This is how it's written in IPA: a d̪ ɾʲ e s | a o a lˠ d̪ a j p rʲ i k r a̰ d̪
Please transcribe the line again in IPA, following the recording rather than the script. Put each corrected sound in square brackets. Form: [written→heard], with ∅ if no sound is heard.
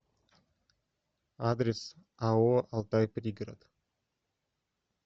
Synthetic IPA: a d̪ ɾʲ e s | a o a lˠ [d̪→t̪] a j p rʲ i [k→ɡ] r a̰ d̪

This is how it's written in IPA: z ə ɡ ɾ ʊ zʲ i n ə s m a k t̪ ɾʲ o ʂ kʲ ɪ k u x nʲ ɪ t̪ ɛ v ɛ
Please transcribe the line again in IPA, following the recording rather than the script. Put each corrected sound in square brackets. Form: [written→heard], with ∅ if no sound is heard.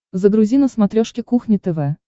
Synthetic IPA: z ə ɡ ɾ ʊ zʲ i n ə s m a [k→∅] t̪ ɾʲ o ʂ kʲ ɪ k u x nʲ ɪ t̪ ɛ v ɛ

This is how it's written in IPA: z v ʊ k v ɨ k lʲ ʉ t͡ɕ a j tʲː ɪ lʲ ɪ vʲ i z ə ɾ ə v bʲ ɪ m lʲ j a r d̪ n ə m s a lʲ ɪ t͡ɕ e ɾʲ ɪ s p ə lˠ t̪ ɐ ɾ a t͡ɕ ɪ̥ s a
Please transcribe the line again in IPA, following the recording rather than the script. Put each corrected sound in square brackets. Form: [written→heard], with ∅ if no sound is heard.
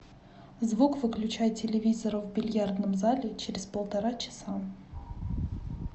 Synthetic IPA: z v [ʊ→u] k v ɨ k lʲ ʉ t͡ɕ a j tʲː ɪ lʲ ɪ vʲ i z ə ɾ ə v bʲ ɪ [m→∅] lʲ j a r d̪ n ə m [s→z] a lʲ ɪ t͡ɕ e ɾʲ ɪ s p ə lˠ t̪ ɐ ɾ a t͡ɕ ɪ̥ s a

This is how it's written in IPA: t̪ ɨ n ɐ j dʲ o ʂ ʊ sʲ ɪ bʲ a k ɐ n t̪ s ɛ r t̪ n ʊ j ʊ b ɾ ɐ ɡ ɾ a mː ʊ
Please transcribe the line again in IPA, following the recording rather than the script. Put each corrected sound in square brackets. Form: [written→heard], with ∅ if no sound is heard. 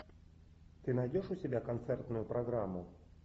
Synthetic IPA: t̪ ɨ n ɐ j dʲ o ʂ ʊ sʲ ɪ bʲ a k ɐ n t̪ s ɛ r t̪ n ʊ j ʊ [b→p] ɾ ɐ ɡ ɾ a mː ʊ

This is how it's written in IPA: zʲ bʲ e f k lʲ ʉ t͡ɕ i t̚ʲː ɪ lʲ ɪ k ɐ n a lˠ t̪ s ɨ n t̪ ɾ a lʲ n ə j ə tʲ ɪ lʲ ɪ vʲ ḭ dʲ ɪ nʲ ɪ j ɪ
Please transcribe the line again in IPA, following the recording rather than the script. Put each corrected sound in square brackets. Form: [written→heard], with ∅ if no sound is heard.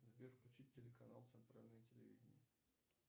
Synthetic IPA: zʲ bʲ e f k lʲ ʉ t͡ɕ i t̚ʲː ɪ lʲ ɪ k ɐ n a lˠ t̪ s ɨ n t̪ ɾ a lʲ n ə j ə tʲ ɪ lʲ ɪ vʲ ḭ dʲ ɪ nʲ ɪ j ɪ

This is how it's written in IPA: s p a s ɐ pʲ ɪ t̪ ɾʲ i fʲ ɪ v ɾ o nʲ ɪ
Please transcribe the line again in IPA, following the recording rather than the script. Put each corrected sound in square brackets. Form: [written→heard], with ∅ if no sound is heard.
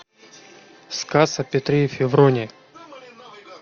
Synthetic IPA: s [p→k] a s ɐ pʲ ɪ t̪ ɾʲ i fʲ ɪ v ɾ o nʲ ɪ

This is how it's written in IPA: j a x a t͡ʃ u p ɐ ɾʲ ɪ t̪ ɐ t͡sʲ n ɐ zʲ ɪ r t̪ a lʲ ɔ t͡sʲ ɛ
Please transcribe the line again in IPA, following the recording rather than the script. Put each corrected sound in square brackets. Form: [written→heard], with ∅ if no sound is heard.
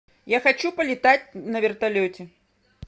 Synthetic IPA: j a x a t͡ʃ u p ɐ [ɾʲ→lʲ] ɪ t̪ [ɐ→a] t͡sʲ n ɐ [zʲ→vʲ] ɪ r t̪ a lʲ ɔ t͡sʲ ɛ

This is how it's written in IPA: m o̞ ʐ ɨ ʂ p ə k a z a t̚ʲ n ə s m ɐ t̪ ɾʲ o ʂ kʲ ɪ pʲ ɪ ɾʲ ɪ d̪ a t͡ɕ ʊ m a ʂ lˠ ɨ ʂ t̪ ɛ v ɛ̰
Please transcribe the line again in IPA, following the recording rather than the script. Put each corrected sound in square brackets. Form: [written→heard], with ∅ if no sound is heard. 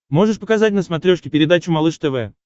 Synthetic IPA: m o̞ ʐ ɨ ʂ p ə k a z a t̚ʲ n ə s m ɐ t̪ ɾʲ o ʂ kʲ ɪ pʲ ɪ ɾʲ ɪ d̪ a t͡ɕ ʊ m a [ʂ→∅] lˠ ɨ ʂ t̪ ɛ v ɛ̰

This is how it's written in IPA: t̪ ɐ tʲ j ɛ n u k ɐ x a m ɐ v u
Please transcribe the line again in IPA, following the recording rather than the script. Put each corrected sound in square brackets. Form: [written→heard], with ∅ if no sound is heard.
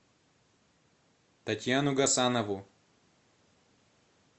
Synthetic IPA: t̪ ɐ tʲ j [ɛ→a] n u [k→ɡ] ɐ [x→s] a [m→n] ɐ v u

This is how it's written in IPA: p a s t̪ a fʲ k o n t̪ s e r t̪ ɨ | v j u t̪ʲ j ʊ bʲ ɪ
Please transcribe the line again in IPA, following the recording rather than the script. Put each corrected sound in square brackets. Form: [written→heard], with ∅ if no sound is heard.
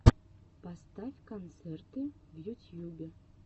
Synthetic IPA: p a s t̪ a fʲ k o n t̪ s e r t̪ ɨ | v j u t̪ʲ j [ʊ→u] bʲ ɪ

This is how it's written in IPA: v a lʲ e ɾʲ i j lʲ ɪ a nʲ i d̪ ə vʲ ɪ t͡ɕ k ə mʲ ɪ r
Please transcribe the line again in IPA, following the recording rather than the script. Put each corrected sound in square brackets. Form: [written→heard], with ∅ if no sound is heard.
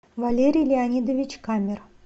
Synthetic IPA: v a lʲ e ɾʲ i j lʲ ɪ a nʲ i d̪ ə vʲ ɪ t͡ɕ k [ə→a] mʲ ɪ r

